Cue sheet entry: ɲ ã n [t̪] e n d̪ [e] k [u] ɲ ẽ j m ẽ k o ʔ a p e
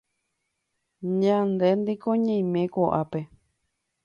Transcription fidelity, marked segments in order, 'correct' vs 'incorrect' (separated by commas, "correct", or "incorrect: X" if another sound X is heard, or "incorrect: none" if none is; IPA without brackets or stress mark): incorrect: d̪, incorrect: i, incorrect: o